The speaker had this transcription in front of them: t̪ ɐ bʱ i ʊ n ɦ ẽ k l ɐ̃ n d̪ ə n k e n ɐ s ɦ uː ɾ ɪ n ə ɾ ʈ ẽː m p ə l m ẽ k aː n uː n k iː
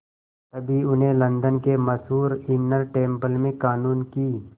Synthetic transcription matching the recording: t̪ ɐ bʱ i ʊ n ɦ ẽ l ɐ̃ n d̪ ə n k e m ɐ s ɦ uː ɾ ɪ n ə ɾ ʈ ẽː m p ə l m ẽ k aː n uː n k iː